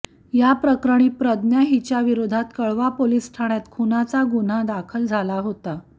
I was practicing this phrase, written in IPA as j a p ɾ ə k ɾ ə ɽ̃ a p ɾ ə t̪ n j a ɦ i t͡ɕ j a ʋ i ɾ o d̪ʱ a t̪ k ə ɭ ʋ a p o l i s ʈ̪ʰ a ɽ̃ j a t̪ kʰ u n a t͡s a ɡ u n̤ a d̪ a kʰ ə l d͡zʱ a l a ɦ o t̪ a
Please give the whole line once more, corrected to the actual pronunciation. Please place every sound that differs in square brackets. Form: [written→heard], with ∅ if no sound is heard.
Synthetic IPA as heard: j a p ɾ ə k ɾ ə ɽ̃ [a→i] p ɾ ə [t̪→d̪] n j a ɦ i t͡ɕ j a ʋ i ɾ o d̪ʱ a t̪ k ə ɭ ʋ a p o l i s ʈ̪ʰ a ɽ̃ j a t̪ kʰ u n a t͡s a ɡ u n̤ a d̪ a kʰ ə l d͡zʱ a l a ɦ o t̪ a